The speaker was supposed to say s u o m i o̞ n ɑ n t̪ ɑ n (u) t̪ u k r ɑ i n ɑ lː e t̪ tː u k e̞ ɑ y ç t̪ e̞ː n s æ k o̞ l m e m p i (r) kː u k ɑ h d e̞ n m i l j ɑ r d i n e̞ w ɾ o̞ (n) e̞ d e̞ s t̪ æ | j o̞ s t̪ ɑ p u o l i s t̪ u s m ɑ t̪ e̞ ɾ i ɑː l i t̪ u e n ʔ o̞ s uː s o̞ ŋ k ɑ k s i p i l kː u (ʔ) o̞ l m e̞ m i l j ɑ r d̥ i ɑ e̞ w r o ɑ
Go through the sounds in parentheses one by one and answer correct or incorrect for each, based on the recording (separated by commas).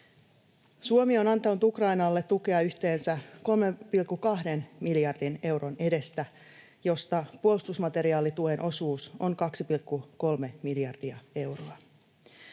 correct, incorrect, correct, incorrect